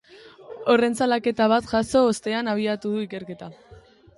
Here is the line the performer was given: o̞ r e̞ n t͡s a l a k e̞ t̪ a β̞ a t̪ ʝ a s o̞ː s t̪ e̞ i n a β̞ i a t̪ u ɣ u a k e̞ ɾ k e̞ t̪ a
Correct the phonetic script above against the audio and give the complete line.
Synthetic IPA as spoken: o̞ r e̞ n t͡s a l a k e̞ t̪ a β̞ a t̪ ʝ a s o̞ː s t̪ e̞ a n a β̞ i a t̪ u ð u i k e̞ ɾ k e̞ t̪ a